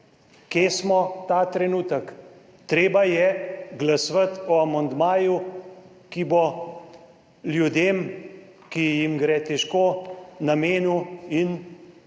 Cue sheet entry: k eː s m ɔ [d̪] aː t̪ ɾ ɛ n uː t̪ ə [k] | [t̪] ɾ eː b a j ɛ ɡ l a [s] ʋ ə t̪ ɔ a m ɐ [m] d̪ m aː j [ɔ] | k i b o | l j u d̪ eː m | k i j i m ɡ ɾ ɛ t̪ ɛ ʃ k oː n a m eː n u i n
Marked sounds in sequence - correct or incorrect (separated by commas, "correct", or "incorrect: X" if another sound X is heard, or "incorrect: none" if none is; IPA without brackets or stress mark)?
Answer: incorrect: t̪, correct, correct, correct, incorrect: n, incorrect: u